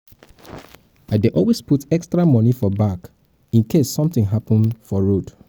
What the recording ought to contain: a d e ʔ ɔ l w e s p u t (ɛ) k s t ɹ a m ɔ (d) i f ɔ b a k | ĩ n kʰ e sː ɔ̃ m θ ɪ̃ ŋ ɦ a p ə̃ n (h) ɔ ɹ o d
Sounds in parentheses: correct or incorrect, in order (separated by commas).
correct, incorrect, incorrect